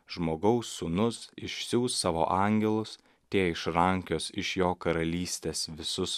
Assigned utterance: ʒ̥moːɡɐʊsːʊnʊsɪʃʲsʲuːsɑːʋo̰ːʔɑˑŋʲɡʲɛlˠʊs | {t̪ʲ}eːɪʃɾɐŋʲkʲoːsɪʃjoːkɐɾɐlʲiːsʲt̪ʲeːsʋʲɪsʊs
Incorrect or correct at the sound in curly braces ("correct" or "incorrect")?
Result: correct